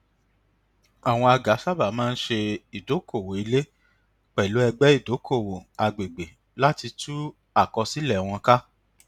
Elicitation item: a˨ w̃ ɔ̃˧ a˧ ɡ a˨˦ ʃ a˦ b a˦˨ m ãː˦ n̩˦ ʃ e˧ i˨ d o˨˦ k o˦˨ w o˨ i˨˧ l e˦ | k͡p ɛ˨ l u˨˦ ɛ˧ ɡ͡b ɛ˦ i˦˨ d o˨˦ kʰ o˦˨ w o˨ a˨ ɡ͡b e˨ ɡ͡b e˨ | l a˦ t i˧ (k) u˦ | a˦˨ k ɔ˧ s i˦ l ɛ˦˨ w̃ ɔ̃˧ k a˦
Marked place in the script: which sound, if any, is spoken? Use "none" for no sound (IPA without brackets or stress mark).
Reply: t